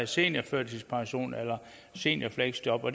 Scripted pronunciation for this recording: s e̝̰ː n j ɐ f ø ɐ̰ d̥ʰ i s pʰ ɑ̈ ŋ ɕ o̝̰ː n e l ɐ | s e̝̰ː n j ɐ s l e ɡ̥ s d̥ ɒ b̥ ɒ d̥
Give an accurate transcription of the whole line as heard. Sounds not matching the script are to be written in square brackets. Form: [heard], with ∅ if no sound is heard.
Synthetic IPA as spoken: s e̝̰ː n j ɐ f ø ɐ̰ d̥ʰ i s pʰ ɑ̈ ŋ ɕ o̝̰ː n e l ɐ | s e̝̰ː n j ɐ [f] l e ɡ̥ s d̥ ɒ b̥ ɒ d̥